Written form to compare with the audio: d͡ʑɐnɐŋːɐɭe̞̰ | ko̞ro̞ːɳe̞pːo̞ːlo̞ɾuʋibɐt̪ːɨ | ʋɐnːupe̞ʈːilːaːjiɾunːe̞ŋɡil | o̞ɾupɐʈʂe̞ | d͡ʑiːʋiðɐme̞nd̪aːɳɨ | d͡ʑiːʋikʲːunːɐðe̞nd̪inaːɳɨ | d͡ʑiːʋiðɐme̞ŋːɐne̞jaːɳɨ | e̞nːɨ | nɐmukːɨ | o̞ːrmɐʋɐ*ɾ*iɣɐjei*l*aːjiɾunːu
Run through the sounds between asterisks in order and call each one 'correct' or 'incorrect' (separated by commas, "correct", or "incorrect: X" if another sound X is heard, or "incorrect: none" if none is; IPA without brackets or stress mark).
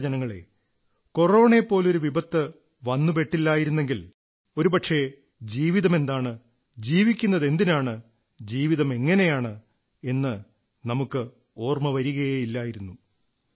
correct, incorrect: lː